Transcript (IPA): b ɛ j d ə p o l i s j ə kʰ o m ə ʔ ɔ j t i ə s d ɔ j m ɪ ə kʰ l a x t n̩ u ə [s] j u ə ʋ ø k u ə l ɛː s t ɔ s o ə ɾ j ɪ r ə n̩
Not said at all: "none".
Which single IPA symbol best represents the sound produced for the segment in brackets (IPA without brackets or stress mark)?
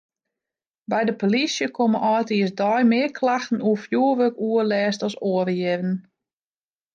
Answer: f